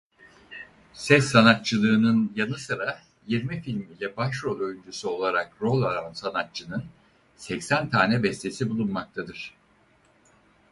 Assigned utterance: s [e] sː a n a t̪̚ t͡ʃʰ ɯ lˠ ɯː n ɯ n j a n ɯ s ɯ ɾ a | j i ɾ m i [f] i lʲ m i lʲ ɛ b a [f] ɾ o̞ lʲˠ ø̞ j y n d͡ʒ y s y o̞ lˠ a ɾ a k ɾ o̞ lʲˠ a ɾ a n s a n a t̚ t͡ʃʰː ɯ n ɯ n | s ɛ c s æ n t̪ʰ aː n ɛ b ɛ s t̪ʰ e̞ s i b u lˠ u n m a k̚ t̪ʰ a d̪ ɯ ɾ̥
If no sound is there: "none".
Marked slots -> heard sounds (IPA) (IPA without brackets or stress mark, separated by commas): ɛ, f, ʃ